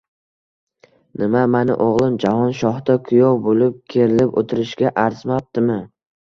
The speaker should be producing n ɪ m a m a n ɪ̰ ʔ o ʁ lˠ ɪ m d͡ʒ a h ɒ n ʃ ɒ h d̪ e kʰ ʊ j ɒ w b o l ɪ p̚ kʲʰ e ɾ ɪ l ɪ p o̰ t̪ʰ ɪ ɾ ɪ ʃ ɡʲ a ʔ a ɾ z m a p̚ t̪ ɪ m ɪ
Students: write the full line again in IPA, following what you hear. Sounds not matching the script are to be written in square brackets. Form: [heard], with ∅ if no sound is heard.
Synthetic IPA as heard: n ɪ m a m a n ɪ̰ ʔ o ʁ lˠ ɪ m d͡ʒ a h ɒ n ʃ ɒ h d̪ [a] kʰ ʊ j ɒ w b o l ɪ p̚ kʲʰ e ɾ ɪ l ɪ p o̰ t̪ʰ ɪ ɾ ɪ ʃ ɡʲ a ʔ a ɾ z m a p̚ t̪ ɪ m ɪ